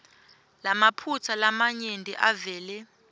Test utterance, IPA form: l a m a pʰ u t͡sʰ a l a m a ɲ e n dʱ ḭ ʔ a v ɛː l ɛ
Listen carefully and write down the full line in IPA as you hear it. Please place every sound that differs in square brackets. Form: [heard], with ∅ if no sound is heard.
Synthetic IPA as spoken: l a m a pʰ u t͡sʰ a l a m a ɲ e n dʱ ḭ ʔ a v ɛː l ɛ